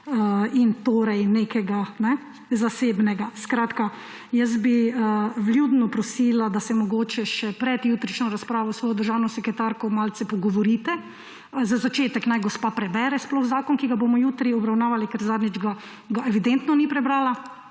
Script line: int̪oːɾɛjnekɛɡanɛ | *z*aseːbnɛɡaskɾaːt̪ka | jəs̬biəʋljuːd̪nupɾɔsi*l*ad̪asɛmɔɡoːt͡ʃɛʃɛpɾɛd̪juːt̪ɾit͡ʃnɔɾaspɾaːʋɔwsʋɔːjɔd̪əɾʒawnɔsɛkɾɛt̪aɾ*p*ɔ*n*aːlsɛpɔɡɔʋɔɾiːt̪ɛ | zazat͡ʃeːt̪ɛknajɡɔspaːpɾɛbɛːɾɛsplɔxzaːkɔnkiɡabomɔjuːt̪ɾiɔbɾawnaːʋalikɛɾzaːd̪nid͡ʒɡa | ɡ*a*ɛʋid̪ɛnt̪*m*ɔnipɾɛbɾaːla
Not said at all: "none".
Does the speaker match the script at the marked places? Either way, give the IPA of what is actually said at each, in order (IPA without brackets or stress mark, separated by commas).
z, l, k, m, a, n